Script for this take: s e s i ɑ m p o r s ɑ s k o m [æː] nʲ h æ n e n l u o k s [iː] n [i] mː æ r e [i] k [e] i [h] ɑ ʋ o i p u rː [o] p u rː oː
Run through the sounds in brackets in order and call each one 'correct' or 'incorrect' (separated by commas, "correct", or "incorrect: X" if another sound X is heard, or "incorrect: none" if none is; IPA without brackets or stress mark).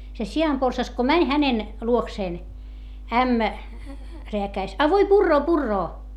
incorrect: æ, incorrect: eː, incorrect: æ, incorrect: æ, incorrect: æ, incorrect: s, incorrect: oː